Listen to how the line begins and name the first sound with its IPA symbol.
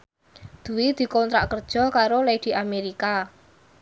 d̪̥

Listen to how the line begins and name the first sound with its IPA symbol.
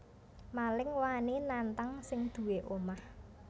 m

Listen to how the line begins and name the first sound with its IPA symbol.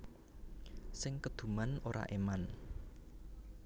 s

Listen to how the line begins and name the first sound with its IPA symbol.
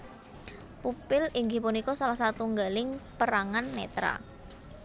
p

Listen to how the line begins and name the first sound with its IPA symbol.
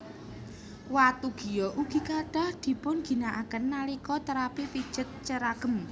w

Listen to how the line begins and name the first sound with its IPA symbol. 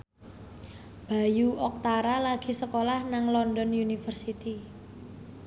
b̥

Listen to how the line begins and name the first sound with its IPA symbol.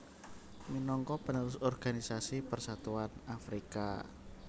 m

